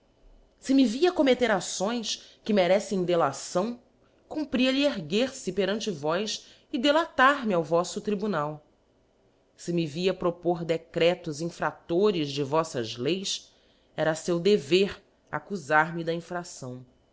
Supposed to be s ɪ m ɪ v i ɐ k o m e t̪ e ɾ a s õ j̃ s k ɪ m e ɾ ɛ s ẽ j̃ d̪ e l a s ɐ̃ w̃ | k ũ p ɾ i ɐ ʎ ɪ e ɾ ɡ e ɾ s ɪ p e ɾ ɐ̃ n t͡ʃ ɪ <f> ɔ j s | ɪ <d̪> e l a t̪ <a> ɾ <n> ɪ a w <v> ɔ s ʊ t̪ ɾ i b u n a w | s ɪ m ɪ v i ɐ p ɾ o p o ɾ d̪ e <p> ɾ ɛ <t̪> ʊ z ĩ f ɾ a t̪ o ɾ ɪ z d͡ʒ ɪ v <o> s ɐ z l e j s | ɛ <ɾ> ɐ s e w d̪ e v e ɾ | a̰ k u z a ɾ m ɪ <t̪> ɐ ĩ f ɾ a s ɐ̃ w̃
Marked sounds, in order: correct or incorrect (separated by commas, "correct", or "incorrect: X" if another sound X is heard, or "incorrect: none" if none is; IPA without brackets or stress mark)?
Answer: incorrect: v, correct, correct, incorrect: m, correct, incorrect: k, correct, incorrect: ɔ, correct, incorrect: d̪